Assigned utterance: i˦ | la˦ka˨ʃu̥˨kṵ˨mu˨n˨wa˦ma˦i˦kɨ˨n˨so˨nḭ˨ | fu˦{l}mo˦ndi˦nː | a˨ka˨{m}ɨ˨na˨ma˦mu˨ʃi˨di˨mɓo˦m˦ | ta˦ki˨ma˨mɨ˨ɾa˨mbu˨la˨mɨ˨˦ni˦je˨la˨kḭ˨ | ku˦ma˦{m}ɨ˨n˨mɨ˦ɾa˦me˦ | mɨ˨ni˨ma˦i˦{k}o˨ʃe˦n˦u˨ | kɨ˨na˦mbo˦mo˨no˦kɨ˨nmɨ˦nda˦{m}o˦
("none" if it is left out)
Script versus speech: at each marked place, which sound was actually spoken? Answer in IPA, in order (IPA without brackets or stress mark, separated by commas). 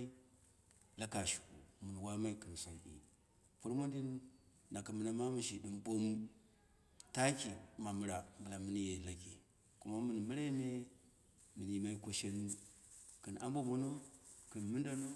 ɾ, m, m, k, n